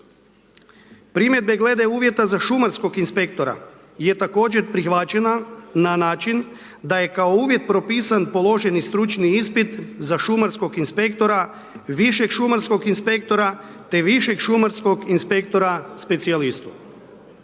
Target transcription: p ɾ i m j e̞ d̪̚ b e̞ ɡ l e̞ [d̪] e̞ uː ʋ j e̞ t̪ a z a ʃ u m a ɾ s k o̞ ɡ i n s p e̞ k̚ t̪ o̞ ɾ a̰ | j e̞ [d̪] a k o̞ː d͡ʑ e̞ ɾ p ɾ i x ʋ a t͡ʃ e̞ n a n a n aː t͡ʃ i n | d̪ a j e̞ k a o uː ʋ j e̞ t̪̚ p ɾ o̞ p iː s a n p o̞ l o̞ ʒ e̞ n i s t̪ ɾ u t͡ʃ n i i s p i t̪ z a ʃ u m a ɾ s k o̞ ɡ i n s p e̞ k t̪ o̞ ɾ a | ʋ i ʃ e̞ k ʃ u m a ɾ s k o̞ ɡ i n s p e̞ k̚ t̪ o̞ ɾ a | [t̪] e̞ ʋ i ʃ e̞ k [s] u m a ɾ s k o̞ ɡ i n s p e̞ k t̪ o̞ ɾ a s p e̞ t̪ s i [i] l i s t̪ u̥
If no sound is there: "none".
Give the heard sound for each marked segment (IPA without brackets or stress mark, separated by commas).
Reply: d̪, t̪, t̪, ʃ, a